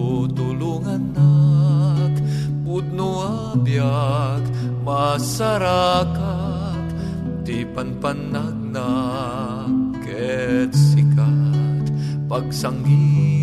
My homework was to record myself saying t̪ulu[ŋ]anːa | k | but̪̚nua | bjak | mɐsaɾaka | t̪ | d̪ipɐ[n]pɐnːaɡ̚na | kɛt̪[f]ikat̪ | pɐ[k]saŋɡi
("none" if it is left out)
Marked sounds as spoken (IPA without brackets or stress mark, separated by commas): ŋ, n, s, ɡ